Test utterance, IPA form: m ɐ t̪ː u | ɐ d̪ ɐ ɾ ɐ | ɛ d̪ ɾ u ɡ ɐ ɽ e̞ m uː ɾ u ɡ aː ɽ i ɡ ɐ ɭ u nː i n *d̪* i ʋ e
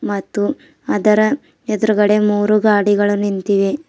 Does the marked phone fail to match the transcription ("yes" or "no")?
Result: yes